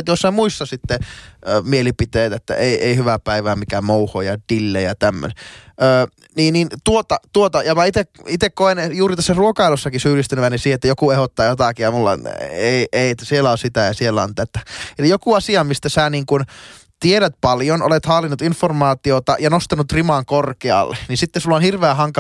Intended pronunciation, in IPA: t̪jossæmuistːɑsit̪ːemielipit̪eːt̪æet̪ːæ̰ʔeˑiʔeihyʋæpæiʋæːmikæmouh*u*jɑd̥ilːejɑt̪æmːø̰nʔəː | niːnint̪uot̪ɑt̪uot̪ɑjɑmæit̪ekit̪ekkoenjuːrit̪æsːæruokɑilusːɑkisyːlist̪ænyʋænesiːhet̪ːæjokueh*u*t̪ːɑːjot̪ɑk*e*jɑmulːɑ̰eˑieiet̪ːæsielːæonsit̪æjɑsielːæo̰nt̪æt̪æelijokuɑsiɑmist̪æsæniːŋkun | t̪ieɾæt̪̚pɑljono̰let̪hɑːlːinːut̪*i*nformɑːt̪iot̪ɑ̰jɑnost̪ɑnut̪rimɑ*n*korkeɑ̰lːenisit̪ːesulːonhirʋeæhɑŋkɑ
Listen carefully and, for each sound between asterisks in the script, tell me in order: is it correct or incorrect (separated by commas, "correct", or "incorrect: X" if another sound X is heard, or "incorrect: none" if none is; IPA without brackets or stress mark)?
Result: incorrect: o, incorrect: o, incorrect: i, correct, incorrect: ŋ